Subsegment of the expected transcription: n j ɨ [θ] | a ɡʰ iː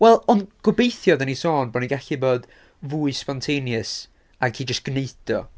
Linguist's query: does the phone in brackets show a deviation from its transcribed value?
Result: yes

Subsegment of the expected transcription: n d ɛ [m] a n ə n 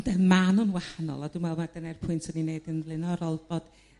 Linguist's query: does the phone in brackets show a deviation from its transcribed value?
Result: no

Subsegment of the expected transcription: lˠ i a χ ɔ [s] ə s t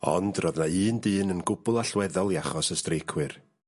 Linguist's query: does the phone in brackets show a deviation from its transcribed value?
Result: no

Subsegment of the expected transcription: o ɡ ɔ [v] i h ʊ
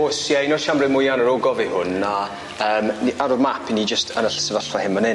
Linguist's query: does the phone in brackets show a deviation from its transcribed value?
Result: no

